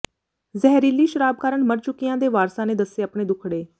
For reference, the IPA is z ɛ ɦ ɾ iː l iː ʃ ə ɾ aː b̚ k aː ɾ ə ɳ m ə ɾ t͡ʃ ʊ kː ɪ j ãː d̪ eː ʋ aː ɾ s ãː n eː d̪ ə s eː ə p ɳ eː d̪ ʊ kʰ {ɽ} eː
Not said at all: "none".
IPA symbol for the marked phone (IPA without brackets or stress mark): ɽ